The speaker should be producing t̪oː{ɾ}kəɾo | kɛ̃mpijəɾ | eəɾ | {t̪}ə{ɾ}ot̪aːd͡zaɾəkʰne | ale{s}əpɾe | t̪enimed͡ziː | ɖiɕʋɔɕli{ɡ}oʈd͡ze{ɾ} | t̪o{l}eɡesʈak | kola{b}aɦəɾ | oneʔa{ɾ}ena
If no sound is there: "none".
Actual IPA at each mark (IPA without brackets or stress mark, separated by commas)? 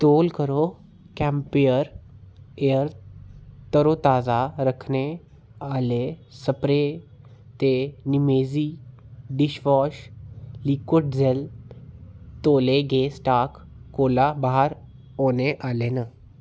l, t̪, ɾ, s, k, l, l, b, l